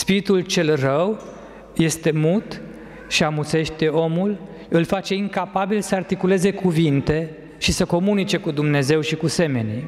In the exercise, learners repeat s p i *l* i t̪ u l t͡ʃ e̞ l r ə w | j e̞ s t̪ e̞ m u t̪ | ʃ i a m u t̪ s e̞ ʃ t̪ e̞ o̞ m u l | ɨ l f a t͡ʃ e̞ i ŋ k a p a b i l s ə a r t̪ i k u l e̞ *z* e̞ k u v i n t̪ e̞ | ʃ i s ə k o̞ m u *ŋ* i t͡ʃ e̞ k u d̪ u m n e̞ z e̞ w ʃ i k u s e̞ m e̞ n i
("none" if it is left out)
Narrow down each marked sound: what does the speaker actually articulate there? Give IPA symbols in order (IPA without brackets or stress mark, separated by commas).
ɾ, z, n